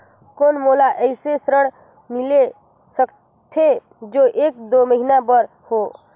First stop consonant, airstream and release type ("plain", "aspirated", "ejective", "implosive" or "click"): plain